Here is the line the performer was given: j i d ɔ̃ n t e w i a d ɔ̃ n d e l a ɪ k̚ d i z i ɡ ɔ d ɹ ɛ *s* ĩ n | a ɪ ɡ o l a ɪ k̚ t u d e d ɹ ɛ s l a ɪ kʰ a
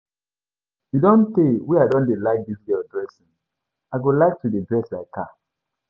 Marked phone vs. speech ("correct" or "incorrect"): correct